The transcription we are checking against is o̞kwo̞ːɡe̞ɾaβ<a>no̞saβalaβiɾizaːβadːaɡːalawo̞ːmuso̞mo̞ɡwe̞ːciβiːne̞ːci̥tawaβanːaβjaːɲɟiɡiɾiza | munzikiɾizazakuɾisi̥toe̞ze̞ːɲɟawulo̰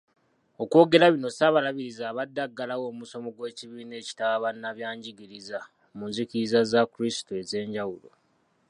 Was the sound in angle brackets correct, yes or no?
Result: no